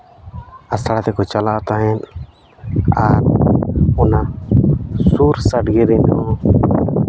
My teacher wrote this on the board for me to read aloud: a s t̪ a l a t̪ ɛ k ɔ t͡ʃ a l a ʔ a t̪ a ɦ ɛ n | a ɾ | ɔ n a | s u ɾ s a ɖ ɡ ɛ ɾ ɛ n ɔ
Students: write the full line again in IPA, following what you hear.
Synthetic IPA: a s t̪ a ɽ a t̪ ɛ k ɔ t͡ʃ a l a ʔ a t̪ a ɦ ɛ n | a ɾ | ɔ n a | s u ɾ s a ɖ ɡ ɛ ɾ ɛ n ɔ